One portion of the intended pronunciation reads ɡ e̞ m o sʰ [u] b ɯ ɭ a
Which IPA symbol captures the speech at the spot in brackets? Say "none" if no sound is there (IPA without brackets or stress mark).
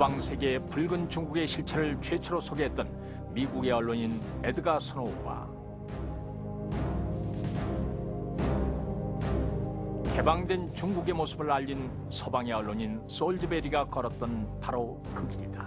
ɯ